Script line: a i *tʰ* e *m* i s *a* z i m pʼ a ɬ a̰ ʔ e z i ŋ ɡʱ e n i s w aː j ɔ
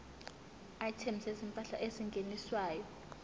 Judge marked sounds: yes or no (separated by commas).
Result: yes, yes, no